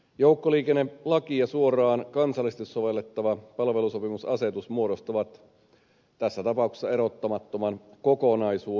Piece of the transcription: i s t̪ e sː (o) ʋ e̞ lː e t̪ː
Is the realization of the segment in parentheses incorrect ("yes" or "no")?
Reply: no